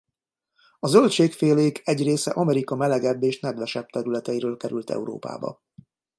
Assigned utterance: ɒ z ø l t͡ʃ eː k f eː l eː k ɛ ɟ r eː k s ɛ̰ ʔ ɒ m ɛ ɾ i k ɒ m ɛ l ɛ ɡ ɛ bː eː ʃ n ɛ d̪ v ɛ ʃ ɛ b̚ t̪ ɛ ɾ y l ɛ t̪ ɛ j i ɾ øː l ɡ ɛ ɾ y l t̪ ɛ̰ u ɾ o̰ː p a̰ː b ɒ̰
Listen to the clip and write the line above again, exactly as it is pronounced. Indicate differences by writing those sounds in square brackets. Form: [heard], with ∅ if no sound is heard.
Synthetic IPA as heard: ɒ z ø l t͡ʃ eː k f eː l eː k ɛ ɟ r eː [∅] s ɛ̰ ʔ ɒ m ɛ ɾ i k ɒ m ɛ l ɛ ɡ ɛ bː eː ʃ n ɛ d̪ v ɛ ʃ ɛ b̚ t̪ ɛ ɾ y l ɛ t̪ ɛ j i ɾ øː l [k] ɛ ɾ y l t̪ ɛ̰ u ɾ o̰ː p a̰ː b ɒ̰